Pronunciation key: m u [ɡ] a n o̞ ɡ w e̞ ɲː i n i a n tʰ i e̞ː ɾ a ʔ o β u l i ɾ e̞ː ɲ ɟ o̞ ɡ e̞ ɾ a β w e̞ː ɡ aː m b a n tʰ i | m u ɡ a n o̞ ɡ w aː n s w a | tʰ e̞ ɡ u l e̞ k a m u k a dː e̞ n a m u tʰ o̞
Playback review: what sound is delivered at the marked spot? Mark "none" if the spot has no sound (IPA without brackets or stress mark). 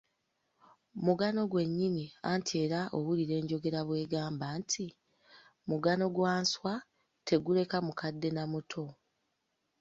ɡ